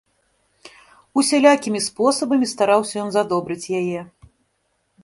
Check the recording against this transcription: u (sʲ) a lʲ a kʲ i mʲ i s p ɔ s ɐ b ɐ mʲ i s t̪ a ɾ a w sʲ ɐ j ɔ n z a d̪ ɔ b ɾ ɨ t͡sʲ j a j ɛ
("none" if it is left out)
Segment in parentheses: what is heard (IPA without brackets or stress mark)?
sʲ